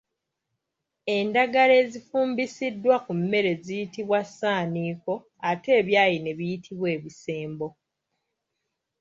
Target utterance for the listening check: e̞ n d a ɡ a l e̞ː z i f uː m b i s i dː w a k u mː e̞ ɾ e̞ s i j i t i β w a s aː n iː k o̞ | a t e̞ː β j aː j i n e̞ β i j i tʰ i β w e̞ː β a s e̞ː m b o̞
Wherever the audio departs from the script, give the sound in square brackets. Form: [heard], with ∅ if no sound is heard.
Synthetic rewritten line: e̞ n d a ɡ a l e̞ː z i f uː m b i s i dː w a k u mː e̞ ɾ e̞ [z] i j i t i β w a s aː n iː k o̞ | a t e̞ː β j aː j i n e̞ β i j i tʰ i β w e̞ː β [i] s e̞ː m b o̞

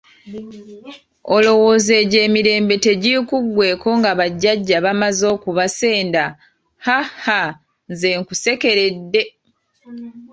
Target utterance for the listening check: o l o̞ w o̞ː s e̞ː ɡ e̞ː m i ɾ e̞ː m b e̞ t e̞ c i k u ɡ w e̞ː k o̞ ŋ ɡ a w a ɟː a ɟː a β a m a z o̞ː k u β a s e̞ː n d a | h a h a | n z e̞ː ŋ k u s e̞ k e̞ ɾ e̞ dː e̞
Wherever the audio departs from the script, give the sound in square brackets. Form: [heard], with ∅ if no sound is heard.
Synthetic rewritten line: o l o̞ w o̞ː [z] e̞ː [ɟ] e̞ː m i ɾ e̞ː m b e̞ t e̞ [ɟ] i k u ɡ w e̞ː k o̞ ŋ ɡ a [β] a ɟː a ɟː a β a m a z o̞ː k u β a s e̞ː n d a | h a h a | n z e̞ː ŋ k u s e̞ k e̞ ɾ e̞ dː e̞

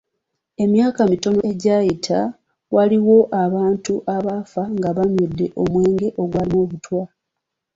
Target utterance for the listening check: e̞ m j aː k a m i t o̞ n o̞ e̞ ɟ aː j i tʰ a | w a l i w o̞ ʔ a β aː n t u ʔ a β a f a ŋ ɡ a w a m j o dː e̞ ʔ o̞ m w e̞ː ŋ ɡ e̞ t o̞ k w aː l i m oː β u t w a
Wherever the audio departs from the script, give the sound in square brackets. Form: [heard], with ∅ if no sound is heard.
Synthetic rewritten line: e̞ m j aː k a m i t o̞ n o̞ e̞ ɟ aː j i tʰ a | w a l i w o̞ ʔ a β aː n t u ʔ a β a f a ŋ ɡ a [β] a m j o dː e̞ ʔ o̞ m w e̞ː ŋ ɡ e̞ [ʔ] o̞ [ɡ] w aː l i m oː β u t w a

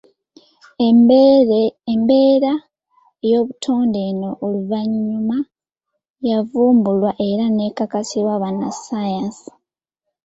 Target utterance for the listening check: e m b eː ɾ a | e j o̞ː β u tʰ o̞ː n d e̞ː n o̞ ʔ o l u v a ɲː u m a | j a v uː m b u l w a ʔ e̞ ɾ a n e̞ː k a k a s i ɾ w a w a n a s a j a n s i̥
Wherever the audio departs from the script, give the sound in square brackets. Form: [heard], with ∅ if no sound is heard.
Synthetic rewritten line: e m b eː ɾ a | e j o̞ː β u tʰ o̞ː n d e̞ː n o̞ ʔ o l u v a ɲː u m a | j a v uː m b u l w a ʔ e̞ ɾ a n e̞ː k a k a s i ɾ w a [β] a n a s a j a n s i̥

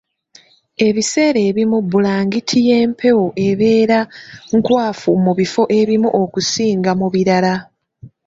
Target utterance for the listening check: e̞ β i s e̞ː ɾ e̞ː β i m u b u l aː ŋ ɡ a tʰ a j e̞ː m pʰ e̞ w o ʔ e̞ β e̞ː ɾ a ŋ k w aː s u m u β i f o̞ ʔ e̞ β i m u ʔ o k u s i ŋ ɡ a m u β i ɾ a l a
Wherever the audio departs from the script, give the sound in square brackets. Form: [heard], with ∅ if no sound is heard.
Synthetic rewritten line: e̞ β i s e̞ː ɾ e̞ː β i m u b u l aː ŋ ɡ [i] tʰ [i] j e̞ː m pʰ e̞ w o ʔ e̞ β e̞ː ɾ a ŋ k w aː [f] u m u β i f o̞ ʔ e̞ β i m u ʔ o k u s [iː] ŋ ɡ a m u β i ɾ a l a

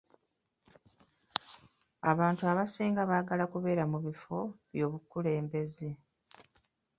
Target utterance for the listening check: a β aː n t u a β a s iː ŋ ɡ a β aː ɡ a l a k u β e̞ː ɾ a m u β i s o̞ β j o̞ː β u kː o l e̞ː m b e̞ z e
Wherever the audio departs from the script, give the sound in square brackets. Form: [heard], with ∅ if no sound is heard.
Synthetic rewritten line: a β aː n t u a β a s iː ŋ ɡ a β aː ɡ a l a k u β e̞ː ɾ a m u β i [f] o̞ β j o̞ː β u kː [u] l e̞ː m b e̞ z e

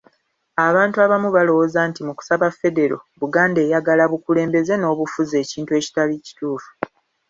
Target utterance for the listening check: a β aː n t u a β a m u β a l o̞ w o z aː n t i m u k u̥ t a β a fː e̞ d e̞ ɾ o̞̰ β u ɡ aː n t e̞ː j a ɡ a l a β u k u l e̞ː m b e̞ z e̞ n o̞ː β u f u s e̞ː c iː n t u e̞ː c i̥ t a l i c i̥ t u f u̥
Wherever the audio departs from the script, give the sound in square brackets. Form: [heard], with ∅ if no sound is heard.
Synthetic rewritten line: a β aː n t u a β a m u β a l o̞ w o z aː n t i m u k u̥ [s] a β a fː e̞ d e̞ ɾ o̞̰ β u ɡ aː n [d] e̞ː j a ɡ a l a β u k u l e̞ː m b e̞ z e̞ n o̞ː β u f u [z] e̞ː c iː n t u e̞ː c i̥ t a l i c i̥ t [uː] f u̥

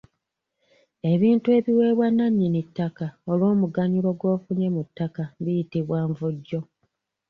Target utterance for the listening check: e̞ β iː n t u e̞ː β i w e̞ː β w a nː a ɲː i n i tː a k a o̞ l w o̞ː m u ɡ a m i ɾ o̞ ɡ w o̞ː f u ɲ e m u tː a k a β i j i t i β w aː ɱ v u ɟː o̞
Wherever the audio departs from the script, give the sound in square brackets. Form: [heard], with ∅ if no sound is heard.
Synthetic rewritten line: e̞ β iː n t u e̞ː β i w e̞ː β w a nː a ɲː i n i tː a k a o̞ l w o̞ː m u ɡ a [ɲ] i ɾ o̞ ɡ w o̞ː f u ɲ e m u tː a k a β i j i t i β w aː ɱ v u ɟː o̞

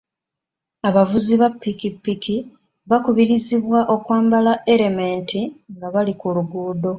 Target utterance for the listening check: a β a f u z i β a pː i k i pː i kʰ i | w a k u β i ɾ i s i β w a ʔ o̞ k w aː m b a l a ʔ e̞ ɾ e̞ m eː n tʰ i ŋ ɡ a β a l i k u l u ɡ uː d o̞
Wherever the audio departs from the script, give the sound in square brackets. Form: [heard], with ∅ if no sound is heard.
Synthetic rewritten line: a β a [v] u z i β a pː i k i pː i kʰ i | [β] a k u β i ɾ i [z] i β w a ʔ o̞ k w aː m b a l a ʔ e̞ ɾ e̞ m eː n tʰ i ŋ ɡ a β a l i k u l u ɡ uː d o̞

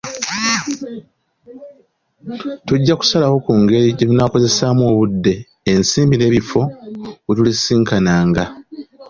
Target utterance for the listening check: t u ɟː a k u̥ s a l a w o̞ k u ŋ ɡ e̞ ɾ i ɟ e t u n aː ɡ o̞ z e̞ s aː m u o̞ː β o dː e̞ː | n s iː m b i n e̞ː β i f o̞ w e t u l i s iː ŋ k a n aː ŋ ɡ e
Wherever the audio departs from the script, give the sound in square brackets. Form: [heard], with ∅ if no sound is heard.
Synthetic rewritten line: t u ɟː a k u̥ s a l a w o̞ k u ŋ ɡ e̞ ɾ i ɟ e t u n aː [k] o̞ z e̞ s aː m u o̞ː β [u] dː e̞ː | n s iː m b i n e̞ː β i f o̞ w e t u l i s iː ŋ k a n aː ŋ ɡ [a]

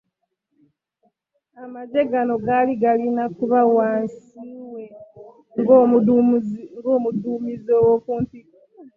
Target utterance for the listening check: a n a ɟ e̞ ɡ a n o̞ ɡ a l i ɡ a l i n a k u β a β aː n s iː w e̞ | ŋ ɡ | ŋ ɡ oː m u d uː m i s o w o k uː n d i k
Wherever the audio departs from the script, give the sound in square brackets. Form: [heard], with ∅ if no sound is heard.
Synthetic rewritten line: a [m] a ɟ e̞ ɡ a n o̞ ɡ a l i ɡ a l i n a k u β a [w] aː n s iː w e̞ | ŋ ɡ | ŋ ɡ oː m u d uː m i [z] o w o k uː n [t] i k

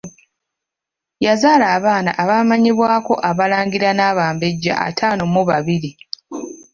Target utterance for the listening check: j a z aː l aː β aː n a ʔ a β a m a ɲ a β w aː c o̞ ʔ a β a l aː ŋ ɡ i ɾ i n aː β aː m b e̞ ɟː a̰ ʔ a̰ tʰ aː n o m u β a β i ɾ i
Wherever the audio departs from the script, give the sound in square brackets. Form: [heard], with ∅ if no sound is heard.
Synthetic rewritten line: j a z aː l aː β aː n a ʔ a β a m a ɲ [i] β w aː [k] o̞ ʔ a β a l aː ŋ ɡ i ɾ [a] n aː β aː m b e̞ ɟː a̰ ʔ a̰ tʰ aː n o m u β a β i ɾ i

